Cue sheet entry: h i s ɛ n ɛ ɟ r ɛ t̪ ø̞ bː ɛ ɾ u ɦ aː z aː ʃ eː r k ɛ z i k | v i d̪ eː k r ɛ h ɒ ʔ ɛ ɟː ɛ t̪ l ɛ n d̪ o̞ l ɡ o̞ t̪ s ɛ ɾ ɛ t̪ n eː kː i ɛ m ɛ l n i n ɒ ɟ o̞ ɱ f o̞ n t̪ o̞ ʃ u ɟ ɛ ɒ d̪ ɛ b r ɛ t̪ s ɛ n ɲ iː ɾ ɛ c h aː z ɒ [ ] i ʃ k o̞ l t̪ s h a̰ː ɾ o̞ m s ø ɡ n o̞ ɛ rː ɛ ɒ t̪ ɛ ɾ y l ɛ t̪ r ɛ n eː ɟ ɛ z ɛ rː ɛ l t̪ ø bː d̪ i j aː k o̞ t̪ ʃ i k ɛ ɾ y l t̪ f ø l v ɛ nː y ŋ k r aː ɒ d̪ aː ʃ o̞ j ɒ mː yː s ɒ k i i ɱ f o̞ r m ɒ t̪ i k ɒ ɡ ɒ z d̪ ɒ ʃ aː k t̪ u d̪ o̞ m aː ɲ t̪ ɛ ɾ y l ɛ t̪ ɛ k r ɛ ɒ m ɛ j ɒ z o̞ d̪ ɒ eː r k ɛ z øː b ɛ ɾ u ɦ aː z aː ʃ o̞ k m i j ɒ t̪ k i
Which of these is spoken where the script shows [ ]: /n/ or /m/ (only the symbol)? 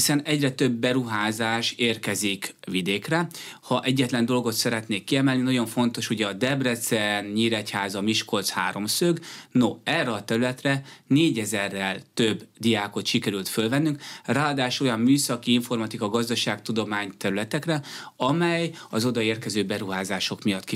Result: m